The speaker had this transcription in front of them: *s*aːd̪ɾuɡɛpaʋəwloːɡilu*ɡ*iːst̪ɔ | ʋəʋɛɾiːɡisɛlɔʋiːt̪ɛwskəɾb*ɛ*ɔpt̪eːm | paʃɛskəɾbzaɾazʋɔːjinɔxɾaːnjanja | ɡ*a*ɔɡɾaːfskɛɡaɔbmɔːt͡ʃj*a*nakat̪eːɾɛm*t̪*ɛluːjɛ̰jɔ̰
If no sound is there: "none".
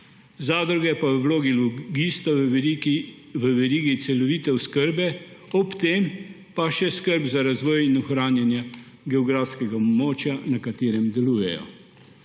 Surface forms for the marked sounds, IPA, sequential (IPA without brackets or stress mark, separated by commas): z, ɡ, ɛ, ɛ, a, d̪